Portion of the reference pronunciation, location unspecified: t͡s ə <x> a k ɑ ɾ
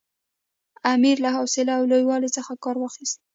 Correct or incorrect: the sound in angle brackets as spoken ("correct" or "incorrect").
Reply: correct